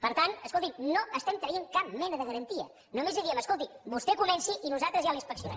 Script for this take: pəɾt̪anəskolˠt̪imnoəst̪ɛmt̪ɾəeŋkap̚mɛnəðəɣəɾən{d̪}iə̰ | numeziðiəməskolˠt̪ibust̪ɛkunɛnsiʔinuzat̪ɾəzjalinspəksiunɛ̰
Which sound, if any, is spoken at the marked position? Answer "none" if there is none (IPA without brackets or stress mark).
t̪